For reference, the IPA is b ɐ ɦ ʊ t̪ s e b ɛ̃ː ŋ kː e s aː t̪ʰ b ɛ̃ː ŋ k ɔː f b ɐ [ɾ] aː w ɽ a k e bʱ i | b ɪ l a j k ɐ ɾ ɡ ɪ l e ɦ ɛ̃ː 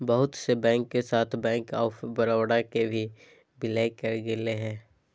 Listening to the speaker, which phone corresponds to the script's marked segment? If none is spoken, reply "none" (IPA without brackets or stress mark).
ɾ